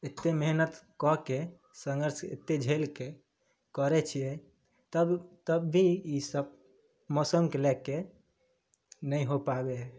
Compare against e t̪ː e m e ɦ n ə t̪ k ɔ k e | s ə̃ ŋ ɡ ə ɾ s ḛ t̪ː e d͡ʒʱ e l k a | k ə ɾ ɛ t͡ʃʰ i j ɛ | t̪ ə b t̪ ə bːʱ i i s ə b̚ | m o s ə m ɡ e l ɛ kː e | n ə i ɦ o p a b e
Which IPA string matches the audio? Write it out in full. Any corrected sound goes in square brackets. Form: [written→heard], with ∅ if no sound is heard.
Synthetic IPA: e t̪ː e m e ɦ n ə t̪ k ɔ k e | s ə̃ ŋ ɡ ə ɾ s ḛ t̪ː e d͡ʒʱ e l k [a→e] | k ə ɾ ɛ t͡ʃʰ i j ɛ | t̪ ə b t̪ ə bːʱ i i s ə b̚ | m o s ə m [ɡ→k] e l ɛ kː e | n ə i ɦ o p a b e